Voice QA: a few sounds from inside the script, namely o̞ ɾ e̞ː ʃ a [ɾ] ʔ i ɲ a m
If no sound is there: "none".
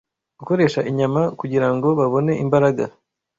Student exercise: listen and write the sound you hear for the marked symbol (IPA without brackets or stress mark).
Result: none